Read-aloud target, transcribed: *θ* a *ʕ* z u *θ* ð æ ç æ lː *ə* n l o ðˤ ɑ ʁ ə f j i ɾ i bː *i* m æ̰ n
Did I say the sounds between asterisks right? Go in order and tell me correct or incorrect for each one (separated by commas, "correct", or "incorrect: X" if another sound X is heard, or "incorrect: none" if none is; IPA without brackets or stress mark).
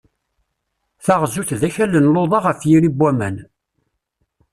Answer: correct, incorrect: ʁ, correct, correct, incorrect: æ